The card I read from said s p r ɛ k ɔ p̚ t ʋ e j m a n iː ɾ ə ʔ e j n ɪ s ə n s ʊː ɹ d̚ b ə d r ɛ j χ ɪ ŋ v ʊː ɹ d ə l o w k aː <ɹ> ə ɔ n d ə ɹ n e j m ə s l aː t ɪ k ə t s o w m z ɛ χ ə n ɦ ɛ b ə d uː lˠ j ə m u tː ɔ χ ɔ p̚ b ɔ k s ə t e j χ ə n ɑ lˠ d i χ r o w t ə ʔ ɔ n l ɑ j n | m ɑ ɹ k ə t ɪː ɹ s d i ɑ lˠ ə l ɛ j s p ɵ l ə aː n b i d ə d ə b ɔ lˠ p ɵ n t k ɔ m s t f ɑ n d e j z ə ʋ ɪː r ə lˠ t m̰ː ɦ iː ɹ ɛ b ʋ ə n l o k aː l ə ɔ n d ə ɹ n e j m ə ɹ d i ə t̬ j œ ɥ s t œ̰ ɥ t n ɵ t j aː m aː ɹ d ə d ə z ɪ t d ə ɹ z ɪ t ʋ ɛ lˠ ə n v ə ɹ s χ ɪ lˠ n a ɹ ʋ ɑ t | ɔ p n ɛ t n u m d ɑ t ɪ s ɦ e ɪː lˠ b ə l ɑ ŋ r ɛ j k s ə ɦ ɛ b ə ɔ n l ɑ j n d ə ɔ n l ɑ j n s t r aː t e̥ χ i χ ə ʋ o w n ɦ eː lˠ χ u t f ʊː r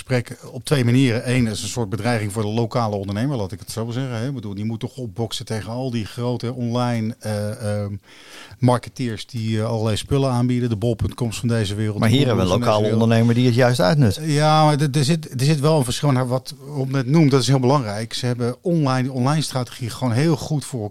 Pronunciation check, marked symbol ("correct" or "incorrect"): incorrect